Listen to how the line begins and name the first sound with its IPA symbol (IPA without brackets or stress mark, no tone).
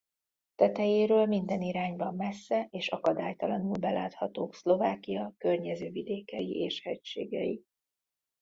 t̪